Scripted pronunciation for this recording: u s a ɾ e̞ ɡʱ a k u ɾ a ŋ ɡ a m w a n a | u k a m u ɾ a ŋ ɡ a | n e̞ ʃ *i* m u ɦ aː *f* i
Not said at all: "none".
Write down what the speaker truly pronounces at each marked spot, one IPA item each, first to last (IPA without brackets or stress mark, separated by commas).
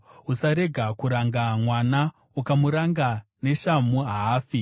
a, f